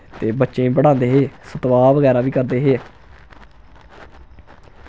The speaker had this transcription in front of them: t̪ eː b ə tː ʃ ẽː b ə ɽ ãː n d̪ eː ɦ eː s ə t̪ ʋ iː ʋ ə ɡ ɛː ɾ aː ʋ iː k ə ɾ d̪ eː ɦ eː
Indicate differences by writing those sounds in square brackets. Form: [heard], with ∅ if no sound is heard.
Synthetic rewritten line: t̪ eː b ə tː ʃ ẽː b ə ɽ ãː n d̪ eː ɦ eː s ə t̪ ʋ [aː] ʋ ə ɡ ɛː ɾ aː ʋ iː k ə ɾ d̪ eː ɦ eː